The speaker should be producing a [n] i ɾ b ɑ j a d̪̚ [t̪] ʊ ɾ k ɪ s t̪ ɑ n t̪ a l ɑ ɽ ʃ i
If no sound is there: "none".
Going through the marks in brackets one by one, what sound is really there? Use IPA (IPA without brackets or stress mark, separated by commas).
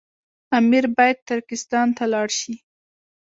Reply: m, t̪